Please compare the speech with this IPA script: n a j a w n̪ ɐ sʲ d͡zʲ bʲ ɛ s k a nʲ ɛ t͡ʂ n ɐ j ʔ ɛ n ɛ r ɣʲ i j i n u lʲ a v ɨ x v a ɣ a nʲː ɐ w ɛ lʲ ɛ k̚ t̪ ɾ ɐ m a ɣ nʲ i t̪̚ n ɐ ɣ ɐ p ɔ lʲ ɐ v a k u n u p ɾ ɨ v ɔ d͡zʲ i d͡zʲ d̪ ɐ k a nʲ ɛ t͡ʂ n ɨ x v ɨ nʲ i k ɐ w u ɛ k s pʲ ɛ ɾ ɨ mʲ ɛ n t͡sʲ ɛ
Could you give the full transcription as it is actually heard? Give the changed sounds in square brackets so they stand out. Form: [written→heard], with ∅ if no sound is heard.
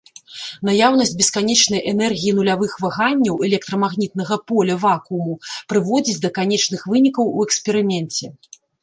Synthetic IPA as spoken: n a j a w n̪ ɐ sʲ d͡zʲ bʲ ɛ s k a nʲ ɛ t͡ʂ n ɐ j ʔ ɛ n ɛ r ɣʲ i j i n u lʲ a v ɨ x v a ɣ a nʲː ɐ w ɛ lʲ ɛ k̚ t̪ ɾ ɐ m a ɣ nʲ i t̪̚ n ɐ ɣ ɐ p ɔ lʲ ɐ v a k u [n→m] u p ɾ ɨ v ɔ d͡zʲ i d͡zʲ d̪ ɐ k a nʲ ɛ t͡ʂ n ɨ x v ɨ nʲ i k ɐ w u ɛ k s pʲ ɛ ɾ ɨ mʲ ɛ n t͡sʲ ɛ